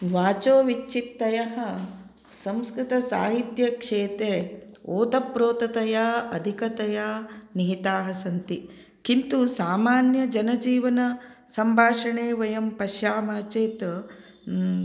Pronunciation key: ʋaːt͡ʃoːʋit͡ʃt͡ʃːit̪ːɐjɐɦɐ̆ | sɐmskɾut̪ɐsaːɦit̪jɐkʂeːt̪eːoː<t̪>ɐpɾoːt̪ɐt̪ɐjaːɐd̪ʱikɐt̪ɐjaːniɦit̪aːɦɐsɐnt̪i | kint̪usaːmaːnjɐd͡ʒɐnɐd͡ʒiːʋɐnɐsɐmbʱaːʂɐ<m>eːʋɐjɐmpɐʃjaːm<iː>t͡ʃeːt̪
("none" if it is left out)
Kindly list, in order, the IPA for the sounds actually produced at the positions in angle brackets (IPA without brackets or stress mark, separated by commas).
t̪, ɳ, aː